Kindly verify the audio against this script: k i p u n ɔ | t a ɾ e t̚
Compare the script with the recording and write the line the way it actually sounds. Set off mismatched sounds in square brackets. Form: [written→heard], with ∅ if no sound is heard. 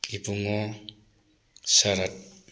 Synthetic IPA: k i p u [n→ŋ] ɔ | [t→s] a ɾ [e→a] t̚